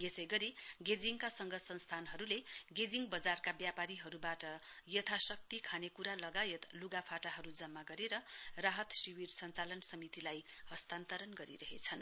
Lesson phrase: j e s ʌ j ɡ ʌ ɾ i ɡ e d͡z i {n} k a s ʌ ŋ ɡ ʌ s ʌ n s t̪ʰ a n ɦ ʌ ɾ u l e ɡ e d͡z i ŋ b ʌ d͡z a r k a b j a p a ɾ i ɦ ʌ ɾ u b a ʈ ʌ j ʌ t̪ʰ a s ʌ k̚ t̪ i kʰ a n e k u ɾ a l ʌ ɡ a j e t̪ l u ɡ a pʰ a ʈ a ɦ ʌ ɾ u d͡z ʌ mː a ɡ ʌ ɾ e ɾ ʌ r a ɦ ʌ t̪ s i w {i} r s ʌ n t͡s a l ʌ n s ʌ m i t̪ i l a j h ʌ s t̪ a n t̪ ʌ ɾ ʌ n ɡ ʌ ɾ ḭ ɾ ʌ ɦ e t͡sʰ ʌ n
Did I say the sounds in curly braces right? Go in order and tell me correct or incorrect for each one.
incorrect, correct

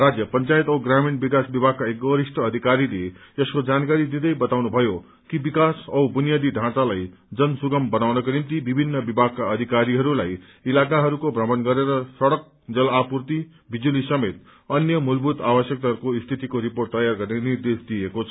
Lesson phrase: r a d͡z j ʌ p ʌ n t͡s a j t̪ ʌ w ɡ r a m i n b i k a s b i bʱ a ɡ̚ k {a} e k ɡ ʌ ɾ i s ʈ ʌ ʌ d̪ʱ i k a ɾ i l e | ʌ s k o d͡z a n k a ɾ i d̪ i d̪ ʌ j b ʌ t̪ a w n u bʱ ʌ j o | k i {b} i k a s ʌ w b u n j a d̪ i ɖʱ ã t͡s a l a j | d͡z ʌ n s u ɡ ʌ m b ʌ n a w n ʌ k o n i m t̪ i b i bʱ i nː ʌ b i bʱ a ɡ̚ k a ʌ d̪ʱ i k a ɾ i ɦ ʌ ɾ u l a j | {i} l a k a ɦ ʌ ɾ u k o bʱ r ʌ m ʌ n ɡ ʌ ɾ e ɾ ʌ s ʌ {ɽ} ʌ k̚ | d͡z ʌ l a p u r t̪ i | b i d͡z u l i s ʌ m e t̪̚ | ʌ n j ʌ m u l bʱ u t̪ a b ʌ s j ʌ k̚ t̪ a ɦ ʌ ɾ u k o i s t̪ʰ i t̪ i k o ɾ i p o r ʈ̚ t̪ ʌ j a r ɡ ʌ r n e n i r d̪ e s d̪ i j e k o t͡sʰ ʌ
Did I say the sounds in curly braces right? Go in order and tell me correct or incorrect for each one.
correct, correct, correct, correct

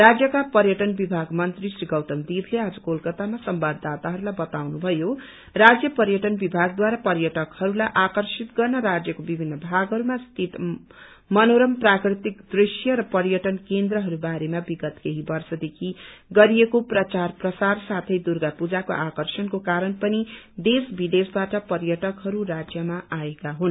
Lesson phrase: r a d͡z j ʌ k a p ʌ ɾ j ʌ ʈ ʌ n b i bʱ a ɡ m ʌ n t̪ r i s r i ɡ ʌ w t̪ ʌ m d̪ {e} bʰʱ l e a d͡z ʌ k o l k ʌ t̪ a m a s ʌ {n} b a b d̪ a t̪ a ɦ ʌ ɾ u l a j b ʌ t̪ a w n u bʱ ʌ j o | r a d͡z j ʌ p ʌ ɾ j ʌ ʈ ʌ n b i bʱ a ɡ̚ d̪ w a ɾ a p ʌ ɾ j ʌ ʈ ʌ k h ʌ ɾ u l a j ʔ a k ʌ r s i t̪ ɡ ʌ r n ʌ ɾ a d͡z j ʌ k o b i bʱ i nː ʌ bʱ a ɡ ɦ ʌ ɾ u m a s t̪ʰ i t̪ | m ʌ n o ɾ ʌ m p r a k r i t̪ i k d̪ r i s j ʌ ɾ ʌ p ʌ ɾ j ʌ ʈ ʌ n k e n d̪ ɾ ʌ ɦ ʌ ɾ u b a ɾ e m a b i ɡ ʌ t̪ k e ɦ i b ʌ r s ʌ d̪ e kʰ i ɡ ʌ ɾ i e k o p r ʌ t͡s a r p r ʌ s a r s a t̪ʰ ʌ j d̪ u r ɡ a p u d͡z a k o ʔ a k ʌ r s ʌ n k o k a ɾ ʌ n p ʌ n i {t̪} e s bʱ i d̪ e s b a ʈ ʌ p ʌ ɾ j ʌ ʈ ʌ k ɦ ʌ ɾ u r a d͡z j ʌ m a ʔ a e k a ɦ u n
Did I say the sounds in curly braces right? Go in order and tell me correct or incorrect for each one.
incorrect, incorrect, incorrect

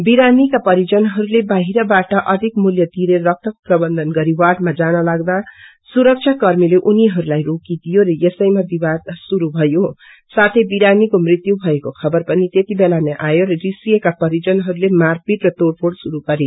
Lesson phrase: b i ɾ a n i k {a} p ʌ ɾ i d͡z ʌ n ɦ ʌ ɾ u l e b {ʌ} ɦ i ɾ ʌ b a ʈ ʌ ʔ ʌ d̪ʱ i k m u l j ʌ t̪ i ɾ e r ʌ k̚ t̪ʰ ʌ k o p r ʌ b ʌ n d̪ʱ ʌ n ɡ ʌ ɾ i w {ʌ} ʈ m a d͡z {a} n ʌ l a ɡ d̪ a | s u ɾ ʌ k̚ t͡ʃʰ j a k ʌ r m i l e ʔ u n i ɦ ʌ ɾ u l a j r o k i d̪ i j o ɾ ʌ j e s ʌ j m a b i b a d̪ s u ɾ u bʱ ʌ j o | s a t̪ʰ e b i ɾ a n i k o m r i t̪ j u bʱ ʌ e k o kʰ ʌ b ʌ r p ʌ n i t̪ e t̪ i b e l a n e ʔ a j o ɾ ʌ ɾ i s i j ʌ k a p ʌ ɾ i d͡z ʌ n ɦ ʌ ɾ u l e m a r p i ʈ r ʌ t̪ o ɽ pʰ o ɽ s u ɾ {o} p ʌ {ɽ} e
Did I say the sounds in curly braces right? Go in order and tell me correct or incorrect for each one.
correct, incorrect, incorrect, correct, incorrect, incorrect

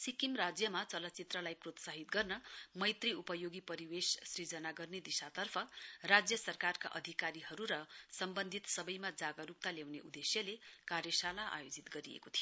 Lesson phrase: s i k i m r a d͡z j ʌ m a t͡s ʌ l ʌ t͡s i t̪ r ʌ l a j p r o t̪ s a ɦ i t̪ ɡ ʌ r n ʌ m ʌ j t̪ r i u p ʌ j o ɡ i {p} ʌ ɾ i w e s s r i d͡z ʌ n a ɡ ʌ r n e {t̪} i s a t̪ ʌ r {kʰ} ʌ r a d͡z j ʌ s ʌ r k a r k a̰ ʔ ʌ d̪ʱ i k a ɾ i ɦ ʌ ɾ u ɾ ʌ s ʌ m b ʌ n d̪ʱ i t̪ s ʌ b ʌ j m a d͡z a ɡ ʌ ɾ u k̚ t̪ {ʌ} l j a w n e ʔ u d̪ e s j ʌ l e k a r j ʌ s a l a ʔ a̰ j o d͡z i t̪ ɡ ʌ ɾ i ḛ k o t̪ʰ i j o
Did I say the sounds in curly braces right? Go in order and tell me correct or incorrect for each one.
correct, incorrect, incorrect, incorrect

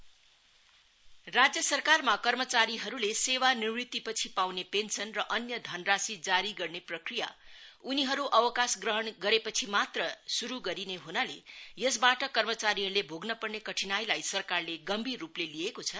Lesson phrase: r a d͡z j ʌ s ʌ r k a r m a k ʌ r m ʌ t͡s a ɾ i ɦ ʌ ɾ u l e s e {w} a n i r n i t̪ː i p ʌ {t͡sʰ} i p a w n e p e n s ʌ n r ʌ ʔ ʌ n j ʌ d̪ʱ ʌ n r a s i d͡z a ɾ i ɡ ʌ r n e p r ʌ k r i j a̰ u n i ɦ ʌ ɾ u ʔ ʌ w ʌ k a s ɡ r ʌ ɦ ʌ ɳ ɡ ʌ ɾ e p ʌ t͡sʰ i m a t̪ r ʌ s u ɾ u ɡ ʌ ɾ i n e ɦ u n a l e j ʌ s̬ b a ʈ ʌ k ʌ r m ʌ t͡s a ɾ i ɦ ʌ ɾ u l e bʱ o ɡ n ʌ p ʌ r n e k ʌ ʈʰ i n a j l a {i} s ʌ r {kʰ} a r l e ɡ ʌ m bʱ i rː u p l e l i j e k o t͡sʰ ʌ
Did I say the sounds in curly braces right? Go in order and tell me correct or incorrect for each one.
correct, correct, incorrect, incorrect

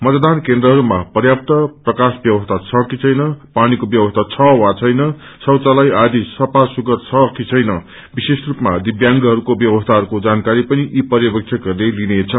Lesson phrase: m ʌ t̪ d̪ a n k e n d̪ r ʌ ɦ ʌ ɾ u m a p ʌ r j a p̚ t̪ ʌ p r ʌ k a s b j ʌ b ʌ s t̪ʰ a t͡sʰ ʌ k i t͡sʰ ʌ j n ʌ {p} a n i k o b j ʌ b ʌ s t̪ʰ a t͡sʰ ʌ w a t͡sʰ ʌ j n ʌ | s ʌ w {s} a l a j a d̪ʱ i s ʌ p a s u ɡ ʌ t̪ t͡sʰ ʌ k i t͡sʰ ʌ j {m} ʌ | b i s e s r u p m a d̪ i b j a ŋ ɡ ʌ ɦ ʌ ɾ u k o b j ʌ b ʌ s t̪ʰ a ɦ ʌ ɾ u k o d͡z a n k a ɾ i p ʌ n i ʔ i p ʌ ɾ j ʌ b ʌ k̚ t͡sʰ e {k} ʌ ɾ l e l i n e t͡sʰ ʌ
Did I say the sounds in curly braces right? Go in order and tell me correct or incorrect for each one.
correct, incorrect, incorrect, correct

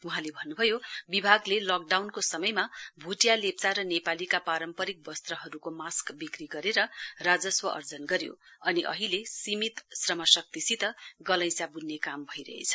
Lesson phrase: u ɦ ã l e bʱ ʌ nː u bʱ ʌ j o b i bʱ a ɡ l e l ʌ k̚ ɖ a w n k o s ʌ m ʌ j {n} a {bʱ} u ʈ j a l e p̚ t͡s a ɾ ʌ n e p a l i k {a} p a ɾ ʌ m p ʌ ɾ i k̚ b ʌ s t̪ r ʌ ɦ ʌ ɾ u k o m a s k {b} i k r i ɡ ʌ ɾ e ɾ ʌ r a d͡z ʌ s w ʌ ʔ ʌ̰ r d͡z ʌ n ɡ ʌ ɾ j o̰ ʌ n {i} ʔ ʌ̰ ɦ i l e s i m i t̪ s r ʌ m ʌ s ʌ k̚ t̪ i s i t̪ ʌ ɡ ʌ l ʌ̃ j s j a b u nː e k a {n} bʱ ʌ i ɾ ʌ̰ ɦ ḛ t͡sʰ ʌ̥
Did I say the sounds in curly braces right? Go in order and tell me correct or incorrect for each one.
incorrect, correct, correct, correct, correct, incorrect

